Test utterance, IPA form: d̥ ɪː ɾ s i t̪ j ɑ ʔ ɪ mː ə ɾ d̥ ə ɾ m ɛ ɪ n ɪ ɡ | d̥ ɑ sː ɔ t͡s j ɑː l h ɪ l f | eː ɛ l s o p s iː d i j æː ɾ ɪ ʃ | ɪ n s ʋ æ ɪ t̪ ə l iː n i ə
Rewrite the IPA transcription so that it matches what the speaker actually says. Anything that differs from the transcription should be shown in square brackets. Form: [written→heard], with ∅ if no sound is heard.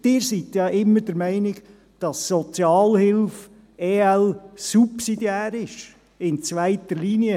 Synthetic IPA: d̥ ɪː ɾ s i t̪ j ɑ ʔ ɪ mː ə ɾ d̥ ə ɾ m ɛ ɪ n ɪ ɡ | d̥ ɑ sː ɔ t͡s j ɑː l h ɪ l f | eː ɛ l s [o→u] p s [iː→i] d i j æː ɾ ɪ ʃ | ɪ n [s→t͡s] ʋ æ ɪ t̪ ə l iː n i ə